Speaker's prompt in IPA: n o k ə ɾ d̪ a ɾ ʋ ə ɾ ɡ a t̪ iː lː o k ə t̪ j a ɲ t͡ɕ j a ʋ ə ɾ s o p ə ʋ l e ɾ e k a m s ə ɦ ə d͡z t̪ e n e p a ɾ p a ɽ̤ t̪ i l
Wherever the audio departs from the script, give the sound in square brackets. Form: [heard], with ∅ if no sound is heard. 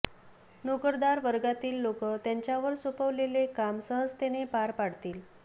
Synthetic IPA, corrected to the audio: n o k ə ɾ d̪ a ɾ ʋ ə ɾ ɡ a t̪ iː lː o k ə t̪ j a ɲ t͡ɕ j a ʋ ə ɾ s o p ə ʋ l e [l] e k a m s ə ɦ ə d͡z t̪ e n e p a ɾ p a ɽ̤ t̪ [iː] l